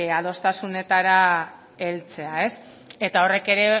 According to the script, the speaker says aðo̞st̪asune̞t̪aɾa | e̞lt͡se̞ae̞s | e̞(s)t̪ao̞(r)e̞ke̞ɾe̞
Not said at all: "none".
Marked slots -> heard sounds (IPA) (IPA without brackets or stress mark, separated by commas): none, r